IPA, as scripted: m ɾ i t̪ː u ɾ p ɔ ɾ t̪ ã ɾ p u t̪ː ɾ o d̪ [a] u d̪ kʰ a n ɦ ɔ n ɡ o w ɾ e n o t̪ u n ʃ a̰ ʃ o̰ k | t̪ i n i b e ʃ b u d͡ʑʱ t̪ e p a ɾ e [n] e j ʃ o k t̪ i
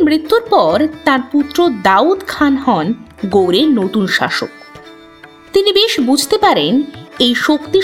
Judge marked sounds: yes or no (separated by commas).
yes, yes